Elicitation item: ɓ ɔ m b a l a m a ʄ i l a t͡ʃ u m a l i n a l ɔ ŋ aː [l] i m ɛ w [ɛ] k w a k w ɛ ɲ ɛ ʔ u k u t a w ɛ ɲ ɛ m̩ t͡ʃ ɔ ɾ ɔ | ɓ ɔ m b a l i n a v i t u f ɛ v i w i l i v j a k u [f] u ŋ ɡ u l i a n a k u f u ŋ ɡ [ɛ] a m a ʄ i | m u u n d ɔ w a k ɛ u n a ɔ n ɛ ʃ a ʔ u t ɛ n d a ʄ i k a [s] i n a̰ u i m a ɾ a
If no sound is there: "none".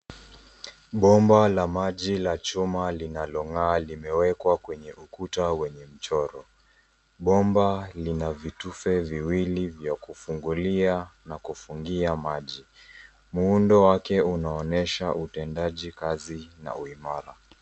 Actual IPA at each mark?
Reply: l, ɛ, f, i, z

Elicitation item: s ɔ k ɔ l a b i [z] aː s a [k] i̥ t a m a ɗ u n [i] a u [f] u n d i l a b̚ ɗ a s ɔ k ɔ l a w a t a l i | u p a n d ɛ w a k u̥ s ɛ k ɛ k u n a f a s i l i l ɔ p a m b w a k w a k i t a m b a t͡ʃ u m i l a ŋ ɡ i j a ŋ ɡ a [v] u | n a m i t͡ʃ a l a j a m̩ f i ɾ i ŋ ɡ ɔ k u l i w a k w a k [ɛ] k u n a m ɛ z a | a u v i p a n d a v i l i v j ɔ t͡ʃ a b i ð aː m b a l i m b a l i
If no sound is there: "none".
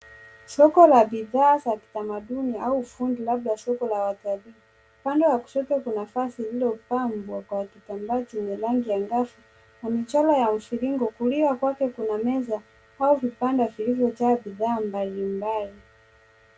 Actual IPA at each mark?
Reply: ð, k, i, f, f, ɛ

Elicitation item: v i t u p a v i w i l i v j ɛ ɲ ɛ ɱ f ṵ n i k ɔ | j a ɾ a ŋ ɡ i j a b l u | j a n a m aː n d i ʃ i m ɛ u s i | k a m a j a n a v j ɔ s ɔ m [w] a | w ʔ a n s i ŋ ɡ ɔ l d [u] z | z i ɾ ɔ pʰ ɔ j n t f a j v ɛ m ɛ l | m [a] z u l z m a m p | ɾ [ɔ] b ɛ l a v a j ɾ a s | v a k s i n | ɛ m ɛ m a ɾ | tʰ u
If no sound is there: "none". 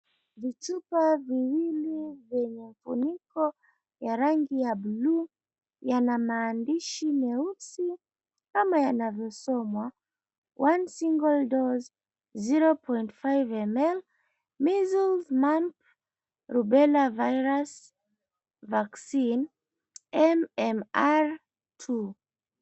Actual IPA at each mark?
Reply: w, ɔ, i, u

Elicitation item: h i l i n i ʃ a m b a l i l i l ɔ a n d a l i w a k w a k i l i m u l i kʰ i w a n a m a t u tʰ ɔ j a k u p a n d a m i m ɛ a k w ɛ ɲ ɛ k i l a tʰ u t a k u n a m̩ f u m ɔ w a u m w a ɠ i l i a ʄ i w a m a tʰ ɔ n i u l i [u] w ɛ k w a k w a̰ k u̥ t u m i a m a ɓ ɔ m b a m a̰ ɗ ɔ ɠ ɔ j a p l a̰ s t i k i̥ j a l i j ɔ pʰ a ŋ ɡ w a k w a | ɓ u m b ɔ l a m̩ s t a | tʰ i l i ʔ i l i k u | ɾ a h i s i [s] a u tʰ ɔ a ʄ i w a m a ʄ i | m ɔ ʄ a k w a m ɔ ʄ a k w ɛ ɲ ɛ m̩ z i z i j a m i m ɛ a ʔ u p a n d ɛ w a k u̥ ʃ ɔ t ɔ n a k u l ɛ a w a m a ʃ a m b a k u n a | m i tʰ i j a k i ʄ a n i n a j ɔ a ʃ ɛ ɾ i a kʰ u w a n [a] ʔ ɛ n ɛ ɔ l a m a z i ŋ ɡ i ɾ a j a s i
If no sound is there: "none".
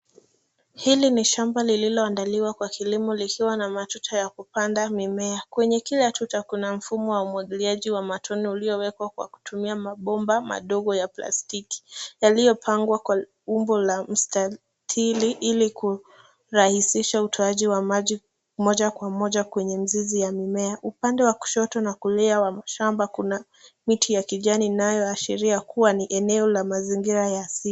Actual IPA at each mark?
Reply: ɔ, ʃ, i

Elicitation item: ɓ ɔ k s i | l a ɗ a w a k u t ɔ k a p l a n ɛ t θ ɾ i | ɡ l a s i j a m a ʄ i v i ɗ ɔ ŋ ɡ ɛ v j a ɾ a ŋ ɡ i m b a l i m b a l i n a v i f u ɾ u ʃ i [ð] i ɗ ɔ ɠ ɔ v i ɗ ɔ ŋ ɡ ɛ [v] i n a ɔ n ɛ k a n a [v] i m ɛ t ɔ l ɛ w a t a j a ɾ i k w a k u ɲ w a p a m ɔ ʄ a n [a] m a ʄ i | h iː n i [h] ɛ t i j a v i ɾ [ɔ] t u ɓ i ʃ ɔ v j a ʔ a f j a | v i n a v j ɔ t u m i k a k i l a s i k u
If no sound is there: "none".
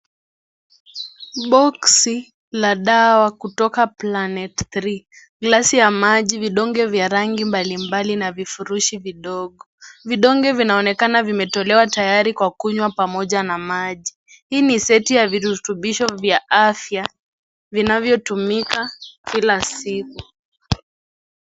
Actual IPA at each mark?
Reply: v, v, v, a, s, u

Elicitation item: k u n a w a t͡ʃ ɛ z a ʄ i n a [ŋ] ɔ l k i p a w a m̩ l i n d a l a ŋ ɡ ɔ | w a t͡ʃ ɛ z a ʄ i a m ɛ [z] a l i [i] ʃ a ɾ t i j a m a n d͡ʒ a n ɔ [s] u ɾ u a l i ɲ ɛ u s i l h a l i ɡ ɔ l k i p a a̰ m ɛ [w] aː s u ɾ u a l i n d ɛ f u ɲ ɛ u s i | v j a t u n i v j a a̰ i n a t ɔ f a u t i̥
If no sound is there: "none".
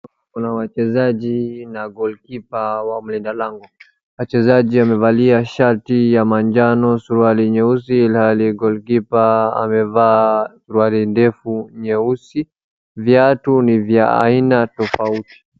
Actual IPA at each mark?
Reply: ɡ, v, a, s, v

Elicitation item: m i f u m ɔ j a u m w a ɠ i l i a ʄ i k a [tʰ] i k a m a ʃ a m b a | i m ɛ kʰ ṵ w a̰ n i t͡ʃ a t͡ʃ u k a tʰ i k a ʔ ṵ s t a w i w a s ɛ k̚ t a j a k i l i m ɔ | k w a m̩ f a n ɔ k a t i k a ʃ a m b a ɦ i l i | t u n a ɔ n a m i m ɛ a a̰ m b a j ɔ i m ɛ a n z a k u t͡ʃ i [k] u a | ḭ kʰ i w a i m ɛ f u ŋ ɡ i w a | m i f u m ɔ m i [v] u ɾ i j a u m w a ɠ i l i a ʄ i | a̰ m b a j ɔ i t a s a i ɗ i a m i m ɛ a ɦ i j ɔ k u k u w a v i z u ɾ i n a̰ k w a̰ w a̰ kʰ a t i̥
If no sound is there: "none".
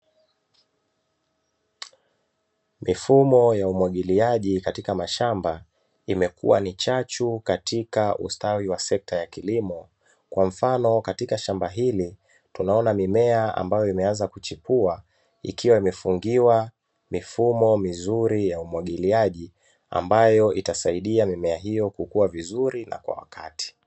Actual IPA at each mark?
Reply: t, p, z

